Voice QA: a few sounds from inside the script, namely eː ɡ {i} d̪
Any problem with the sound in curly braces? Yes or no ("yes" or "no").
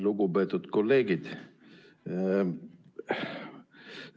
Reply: no